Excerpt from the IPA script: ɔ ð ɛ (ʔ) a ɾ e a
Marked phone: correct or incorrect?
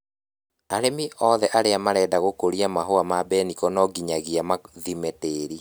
correct